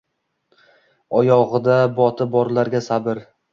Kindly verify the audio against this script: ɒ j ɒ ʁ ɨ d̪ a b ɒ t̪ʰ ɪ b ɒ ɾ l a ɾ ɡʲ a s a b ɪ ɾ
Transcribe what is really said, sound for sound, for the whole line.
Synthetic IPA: ɒ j ɒ ʁ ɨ d̪ a b ɒ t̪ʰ ɪ b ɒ ɾ l a ɾ ɡʲ a s a b ɪ ɾ